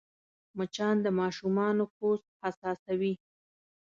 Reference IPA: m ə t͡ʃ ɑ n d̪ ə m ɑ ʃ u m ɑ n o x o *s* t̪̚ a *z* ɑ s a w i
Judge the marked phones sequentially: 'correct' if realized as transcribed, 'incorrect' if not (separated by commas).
correct, incorrect